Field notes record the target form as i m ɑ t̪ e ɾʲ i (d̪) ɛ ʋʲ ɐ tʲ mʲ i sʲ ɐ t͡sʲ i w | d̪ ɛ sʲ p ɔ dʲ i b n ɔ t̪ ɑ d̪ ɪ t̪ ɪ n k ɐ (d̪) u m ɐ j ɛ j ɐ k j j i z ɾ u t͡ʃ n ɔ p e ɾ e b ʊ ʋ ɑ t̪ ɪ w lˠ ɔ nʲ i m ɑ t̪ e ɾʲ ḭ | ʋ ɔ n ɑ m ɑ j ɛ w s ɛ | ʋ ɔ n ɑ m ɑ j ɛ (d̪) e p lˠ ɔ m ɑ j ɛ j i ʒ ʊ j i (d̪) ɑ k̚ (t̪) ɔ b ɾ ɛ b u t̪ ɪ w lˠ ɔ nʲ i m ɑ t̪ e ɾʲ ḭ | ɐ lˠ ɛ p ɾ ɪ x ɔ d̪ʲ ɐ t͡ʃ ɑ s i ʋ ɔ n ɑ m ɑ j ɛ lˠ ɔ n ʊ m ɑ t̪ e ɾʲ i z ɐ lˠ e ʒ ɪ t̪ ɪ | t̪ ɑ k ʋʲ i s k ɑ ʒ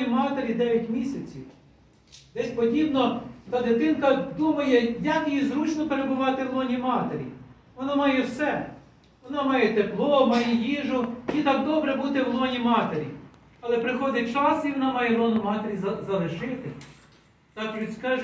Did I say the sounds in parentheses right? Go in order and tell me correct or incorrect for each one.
correct, correct, incorrect: t̪, incorrect: t̪, incorrect: d̪

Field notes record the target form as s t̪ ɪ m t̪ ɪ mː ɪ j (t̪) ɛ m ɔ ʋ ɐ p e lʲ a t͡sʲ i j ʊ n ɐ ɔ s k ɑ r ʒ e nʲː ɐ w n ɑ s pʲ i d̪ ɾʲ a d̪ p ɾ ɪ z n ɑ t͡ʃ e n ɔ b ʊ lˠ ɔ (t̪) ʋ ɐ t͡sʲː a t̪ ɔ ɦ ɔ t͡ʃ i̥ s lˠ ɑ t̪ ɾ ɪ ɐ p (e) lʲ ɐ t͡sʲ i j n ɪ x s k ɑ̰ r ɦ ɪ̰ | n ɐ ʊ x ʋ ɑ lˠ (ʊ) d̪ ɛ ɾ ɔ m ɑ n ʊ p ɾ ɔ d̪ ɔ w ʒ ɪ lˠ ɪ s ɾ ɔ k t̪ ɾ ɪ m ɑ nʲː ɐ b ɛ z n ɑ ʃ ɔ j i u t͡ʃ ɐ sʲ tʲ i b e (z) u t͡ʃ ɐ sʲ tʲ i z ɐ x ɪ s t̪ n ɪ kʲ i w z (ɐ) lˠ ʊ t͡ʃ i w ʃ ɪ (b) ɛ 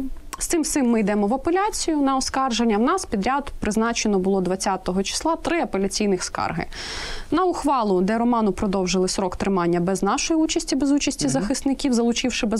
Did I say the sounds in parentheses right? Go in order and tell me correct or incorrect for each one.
incorrect: d̪, incorrect: d̪, correct, correct, correct, correct, correct

